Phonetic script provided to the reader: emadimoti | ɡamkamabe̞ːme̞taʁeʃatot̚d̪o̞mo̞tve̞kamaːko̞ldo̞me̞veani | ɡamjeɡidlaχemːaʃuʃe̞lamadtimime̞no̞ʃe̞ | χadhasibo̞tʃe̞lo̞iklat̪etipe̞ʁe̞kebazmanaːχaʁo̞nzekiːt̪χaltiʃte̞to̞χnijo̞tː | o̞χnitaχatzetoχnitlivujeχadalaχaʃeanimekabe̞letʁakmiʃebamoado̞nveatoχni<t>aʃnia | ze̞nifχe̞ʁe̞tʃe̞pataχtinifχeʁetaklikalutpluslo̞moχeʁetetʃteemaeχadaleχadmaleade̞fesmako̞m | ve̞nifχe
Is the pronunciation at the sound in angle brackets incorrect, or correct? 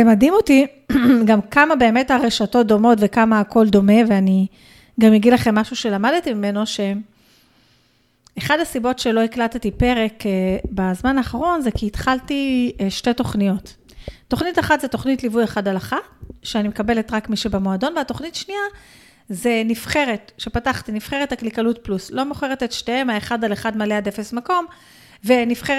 correct